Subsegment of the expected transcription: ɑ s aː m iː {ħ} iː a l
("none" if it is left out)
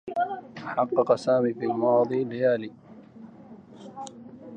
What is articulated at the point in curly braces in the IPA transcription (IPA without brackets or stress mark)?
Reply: f